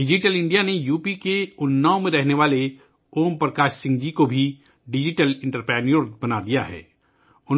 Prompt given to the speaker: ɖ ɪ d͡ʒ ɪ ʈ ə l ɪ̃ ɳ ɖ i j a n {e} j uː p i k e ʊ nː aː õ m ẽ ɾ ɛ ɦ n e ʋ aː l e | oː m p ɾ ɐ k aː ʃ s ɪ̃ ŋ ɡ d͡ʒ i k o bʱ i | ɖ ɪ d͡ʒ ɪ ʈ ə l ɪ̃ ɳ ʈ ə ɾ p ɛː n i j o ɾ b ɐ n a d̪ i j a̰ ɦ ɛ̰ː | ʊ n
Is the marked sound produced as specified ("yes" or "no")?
yes